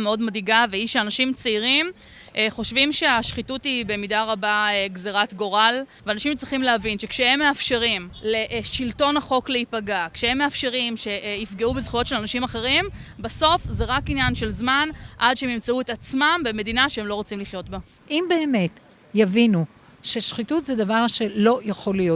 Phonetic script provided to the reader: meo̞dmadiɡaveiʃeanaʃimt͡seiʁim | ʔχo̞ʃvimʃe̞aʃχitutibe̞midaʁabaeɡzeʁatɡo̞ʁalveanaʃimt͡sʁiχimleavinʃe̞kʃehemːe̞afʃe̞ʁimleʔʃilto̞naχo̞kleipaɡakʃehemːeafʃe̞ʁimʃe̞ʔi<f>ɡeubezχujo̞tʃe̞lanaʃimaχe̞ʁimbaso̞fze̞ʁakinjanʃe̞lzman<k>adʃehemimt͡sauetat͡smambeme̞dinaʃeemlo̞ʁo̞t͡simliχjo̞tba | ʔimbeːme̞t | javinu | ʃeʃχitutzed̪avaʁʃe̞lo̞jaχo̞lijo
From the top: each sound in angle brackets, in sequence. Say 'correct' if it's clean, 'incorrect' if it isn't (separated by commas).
correct, incorrect